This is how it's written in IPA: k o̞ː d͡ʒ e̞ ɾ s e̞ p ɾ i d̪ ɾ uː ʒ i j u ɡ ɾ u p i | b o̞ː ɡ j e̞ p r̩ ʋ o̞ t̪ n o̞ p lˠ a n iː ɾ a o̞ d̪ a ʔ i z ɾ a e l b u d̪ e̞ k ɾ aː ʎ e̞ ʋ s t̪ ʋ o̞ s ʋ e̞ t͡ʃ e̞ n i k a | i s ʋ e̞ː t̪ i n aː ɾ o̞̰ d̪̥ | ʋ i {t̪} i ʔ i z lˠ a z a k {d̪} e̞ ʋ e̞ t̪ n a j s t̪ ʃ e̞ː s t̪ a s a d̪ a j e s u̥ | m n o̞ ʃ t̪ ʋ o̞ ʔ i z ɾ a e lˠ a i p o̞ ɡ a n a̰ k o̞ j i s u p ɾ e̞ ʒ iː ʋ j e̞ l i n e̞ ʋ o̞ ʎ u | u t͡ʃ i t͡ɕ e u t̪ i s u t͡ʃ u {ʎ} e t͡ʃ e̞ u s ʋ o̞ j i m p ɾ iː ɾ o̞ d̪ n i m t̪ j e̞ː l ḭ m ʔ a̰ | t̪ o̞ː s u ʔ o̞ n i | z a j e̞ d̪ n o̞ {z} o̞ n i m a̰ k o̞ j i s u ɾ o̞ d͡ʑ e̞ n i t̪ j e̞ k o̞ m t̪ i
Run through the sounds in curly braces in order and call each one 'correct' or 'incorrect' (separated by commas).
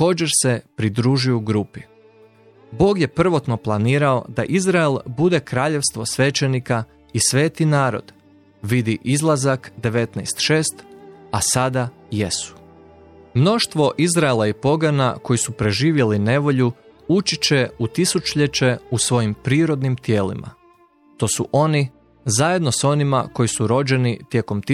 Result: incorrect, correct, correct, incorrect